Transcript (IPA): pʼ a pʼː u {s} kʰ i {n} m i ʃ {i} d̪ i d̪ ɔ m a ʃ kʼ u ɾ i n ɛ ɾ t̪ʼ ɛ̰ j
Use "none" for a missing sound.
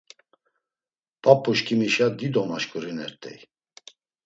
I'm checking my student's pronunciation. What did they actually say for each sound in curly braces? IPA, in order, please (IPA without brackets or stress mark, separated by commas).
ʃ, none, a